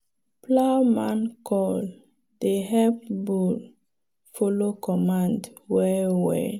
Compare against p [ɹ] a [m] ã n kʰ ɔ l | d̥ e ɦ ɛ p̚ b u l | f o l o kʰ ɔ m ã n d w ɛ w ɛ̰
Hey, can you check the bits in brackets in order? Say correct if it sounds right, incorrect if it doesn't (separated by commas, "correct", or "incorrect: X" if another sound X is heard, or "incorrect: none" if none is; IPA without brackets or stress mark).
incorrect: l, correct